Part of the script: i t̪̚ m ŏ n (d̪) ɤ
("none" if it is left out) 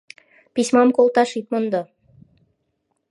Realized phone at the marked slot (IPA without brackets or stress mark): d̪